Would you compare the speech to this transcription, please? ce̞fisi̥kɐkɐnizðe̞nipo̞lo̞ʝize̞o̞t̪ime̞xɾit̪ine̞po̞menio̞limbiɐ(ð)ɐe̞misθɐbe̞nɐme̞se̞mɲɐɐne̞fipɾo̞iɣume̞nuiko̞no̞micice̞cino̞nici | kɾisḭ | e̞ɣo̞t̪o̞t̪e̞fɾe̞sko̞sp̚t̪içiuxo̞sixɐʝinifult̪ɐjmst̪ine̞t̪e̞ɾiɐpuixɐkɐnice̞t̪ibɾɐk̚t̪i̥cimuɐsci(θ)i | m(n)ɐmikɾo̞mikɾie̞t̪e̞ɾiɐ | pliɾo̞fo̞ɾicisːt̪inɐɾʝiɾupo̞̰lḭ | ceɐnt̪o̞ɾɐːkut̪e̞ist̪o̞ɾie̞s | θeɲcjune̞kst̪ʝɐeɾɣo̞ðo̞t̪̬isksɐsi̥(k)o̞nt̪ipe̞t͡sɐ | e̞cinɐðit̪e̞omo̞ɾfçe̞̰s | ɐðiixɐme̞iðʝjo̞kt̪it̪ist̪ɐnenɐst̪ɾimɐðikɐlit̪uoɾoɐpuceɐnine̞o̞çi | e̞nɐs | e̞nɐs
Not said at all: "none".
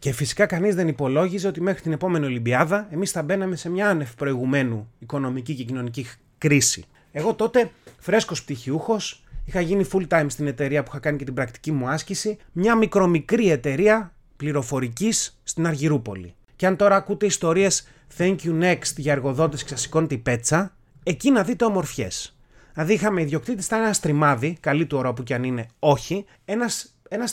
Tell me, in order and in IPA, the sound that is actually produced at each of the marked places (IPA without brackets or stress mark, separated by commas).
ð, s, ɲ, k